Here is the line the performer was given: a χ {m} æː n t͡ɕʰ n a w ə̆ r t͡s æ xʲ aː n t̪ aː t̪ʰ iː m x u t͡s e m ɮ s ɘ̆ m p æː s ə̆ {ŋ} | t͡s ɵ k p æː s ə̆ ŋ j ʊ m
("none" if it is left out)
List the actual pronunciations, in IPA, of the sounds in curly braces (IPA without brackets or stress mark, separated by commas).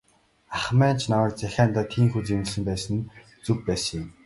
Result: m, n